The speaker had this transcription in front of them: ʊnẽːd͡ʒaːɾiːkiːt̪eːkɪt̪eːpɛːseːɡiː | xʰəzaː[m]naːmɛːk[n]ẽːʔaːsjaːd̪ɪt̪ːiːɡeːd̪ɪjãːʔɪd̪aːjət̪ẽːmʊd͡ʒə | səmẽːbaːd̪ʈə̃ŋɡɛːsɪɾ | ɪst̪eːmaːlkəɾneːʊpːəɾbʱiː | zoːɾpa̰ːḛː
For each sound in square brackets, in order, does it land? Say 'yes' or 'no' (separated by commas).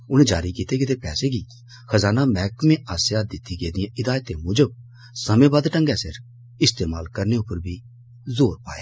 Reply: no, no